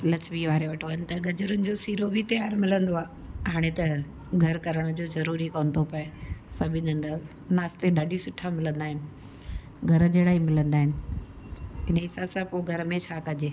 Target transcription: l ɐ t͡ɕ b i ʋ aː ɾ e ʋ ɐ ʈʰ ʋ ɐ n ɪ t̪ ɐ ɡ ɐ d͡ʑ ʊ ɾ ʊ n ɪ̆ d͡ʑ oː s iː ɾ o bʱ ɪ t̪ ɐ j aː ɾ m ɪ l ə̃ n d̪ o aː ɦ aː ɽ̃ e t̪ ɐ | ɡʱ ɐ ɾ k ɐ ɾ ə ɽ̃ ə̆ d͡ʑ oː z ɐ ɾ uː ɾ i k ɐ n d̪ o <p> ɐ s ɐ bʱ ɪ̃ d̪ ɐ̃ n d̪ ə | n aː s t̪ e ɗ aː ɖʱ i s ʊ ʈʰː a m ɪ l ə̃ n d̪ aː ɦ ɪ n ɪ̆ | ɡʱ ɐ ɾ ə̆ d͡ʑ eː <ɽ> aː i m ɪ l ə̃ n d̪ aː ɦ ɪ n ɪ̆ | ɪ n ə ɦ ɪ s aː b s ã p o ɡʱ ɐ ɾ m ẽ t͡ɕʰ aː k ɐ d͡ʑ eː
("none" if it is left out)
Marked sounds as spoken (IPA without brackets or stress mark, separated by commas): p, ɽ